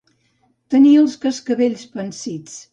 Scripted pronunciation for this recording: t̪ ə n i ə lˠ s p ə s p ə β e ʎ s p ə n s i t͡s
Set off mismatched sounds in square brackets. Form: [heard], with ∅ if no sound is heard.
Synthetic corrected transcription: t̪ ə n i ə lˠ s [k] ə s [k] ə β e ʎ s p ə n s i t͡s

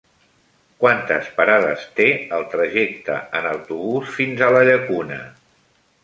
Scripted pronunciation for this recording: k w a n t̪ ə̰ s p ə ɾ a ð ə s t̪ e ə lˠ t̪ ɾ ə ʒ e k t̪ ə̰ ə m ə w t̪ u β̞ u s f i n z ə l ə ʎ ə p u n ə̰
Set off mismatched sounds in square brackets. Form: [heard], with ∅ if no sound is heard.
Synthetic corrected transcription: k w a n t̪ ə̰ s p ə ɾ a ð ə s t̪ e ə lˠ t̪ ɾ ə ʒ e k t̪ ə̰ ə [n] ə w t̪ u β̞ u s f i n z ə l ə ʎ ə [k] u n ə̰

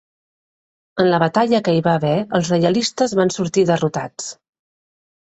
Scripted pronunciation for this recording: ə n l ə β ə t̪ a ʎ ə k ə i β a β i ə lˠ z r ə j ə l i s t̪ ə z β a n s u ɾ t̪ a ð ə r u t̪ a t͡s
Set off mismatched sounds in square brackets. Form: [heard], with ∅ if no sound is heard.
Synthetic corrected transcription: ə n l ə β ə t̪ a ʎ ə k ə i β a β [ɛ] ə lˠ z r ə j ə l i s t̪ ə z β a n s u ɾ t̪ [i] ð ə r u t̪ a t͡s

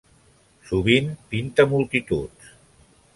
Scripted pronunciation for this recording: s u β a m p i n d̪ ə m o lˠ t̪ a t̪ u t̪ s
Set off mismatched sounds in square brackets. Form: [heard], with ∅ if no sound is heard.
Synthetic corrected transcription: s u β [i] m p i n [t̪] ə m [u] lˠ t̪ [i] t̪ u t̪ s

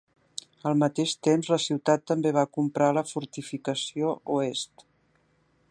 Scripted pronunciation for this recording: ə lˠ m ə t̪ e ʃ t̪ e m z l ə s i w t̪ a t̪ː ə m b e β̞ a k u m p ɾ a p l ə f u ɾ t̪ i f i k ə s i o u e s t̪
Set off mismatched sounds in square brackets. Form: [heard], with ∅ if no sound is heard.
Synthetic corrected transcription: ə lˠ m ə t̪ e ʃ t̪ e m z l ə s i w t̪ a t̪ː ə m b e β̞ a k u m p ɾ a [∅] l ə f u ɾ t̪ i f i k ə s i o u e s t̪

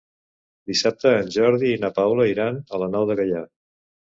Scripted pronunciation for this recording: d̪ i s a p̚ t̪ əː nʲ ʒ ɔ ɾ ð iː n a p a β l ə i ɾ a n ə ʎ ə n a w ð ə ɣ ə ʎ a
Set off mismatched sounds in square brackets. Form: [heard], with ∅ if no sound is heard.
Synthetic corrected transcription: d̪ i s a p̚ t̪ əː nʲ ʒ ɔ ɾ ð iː n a p a [w] l ə i ɾ a n ə [l] ə n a w ð ə ɣ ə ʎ a

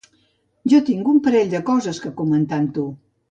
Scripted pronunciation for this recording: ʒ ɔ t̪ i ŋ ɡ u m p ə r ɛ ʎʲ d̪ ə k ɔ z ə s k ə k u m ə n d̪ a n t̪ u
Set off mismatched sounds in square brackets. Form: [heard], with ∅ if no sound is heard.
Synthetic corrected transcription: ʒ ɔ t̪ i ŋ ɡ u m p ə [ɾ] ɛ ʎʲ d̪ ə k ɔ z ə s k ə k u m ə n [t̪] a n t̪ u

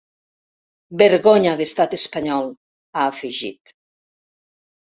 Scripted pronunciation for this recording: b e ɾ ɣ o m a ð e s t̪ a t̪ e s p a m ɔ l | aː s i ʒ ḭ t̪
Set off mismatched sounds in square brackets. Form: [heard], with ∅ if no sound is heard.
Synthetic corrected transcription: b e ɾ ɣ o [ɲ] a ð e s t̪ a t̪ e s p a [ɲ] ɔ l | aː [f] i ʒ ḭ t̪

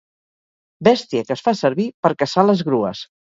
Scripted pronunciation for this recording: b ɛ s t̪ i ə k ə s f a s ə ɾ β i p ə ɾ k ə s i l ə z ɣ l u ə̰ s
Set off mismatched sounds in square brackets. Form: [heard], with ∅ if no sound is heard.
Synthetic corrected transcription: b ɛ s t̪ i ə k ə s f a s ə ɾ β i p ə ɾ k ə s [a] l ə z ɣ [ɾ] u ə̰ s

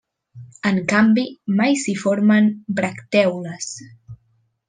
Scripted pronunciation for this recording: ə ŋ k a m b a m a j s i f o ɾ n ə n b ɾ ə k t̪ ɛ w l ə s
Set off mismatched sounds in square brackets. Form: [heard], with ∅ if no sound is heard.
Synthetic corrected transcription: ə ŋ k a m b [i] m a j s i f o ɾ [m] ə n b ɾ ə k t̪ ɛ w l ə s

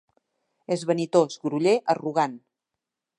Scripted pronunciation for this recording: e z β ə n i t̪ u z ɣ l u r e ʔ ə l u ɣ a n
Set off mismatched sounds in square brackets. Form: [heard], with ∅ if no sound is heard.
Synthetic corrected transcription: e z β ə n i t̪ [o] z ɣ [ɾ] u [ʎ] e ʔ ə [r] u ɣ a n

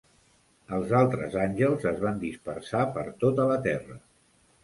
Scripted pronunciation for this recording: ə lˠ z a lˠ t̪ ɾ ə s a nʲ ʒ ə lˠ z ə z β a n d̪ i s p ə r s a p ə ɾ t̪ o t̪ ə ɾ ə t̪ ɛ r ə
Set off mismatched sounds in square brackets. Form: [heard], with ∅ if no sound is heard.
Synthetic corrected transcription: ə lˠ z a lˠ t̪ ɾ ə [z] a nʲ ʒ ə lˠ z ə z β a n d̪ i s p ə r s a p ə ɾ t̪ o t̪ ə [l] ə t̪ ɛ r ə

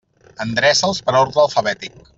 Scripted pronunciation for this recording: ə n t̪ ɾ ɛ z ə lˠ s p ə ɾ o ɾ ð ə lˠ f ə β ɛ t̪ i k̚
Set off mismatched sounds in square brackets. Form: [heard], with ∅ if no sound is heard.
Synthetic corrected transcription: ə n [d̪] ɾ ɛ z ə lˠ s p ə ɾ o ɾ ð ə lˠ f ə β ɛ t̪ i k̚

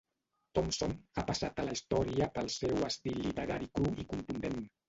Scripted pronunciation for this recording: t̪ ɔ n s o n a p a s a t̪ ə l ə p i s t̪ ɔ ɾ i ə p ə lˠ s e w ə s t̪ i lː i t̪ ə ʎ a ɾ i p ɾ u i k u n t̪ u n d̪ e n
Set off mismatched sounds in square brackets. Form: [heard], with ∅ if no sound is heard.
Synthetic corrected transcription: t̪ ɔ [m] s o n a p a s a t̪ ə l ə [∅] i s t̪ ɔ ɾ i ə p ə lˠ s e w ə s t̪ i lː i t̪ ə [ɾ] a ɾ i [k] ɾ u i k u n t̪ u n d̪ e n

